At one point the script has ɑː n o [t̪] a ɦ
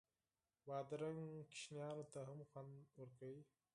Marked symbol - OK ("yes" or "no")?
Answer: yes